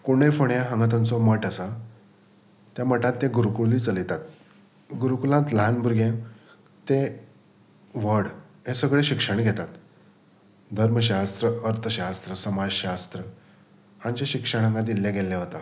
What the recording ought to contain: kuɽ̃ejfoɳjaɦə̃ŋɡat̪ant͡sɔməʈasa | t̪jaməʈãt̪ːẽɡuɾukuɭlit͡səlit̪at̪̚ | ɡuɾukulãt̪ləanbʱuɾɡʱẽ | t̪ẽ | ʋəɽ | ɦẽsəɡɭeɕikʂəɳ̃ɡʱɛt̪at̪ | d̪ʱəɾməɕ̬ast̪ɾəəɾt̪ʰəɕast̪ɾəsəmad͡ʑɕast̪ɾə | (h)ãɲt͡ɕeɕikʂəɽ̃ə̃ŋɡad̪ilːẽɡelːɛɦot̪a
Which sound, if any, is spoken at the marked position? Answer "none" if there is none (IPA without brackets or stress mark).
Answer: h